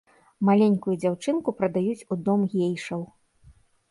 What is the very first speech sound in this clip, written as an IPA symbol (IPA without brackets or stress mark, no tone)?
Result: m